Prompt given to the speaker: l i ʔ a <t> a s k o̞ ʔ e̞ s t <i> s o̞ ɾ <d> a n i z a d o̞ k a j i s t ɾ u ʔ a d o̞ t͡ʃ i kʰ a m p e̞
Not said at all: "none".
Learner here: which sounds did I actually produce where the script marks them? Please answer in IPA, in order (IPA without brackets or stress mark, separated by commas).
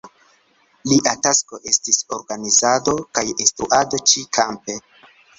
t, i, ɡ